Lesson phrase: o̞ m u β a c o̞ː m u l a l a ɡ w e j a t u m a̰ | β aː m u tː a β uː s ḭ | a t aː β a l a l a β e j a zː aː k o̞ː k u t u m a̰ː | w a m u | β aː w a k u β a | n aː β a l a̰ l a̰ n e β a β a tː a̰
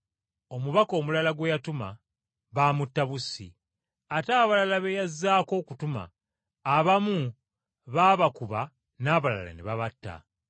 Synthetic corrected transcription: o̞ m u β a k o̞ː m u l a l a ɡ w e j a t u m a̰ | β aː m u tː a β u s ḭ | a t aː β a l a l a β e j a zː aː k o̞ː k u t u m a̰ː | β a m u | β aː β a k u β a | n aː β a l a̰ l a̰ n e β a β a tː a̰